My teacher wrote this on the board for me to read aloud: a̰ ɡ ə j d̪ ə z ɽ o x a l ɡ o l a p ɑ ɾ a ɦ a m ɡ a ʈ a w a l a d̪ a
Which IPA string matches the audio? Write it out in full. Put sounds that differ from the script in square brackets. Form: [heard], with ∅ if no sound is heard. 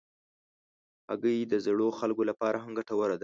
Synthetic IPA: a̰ ɡ ə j d̪ ə z ɽ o x a l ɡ o l a p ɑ ɾ a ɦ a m ɡ a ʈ a w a [ɾ] a d̪ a

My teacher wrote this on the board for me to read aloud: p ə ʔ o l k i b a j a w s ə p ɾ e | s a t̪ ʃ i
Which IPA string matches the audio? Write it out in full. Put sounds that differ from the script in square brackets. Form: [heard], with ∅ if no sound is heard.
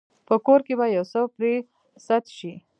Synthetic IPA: p ə [k] o [ɾ] k [e] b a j a w s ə p ɾ e | s a t̪ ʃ i

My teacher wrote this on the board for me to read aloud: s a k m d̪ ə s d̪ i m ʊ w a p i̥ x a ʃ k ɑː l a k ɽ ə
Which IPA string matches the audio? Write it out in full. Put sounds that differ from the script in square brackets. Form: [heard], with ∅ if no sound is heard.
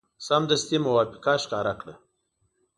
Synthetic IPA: s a [∅] m d̪ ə s [t̪] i m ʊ w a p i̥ [k] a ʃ k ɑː [ɾ] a k ɽ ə

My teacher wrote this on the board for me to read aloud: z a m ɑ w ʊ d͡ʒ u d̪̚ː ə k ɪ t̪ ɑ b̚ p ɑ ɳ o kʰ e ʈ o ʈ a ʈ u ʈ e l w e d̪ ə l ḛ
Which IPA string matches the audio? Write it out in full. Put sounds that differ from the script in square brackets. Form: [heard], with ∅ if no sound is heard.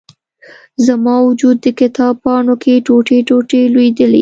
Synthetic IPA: z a m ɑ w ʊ d͡ʒ u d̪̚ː ə k ɪ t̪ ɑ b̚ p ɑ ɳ o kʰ e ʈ o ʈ [e] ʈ [o] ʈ e l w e d̪ ə l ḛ

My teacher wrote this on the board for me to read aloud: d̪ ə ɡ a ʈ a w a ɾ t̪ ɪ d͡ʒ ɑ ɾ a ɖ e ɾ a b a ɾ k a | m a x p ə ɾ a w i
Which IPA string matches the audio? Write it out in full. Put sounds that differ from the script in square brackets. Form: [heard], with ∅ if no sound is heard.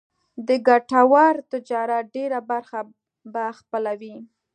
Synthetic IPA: d̪ ə ɡ a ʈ a w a ɾ t̪ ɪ d͡ʒ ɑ ɾ a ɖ e ɾ a b a ɾ [x] a | [b] a x p ə [l] a w i

